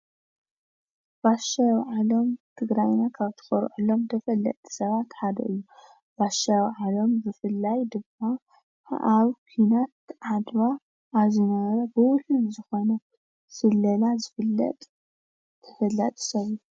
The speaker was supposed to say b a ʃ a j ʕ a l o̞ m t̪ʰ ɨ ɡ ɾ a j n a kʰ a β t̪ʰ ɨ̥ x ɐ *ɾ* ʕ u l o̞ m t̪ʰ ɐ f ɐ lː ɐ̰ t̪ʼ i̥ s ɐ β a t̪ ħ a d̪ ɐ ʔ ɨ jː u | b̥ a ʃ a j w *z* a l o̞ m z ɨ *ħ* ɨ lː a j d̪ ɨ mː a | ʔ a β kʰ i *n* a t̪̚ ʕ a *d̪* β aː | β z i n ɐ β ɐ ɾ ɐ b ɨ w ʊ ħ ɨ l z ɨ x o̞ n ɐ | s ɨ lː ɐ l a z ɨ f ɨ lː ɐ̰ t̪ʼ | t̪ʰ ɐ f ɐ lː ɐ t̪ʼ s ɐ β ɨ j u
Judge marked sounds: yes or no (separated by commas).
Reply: yes, no, no, yes, yes